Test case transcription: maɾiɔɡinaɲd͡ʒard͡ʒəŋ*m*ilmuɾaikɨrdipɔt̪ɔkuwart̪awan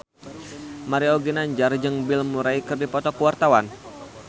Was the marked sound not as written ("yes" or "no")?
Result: yes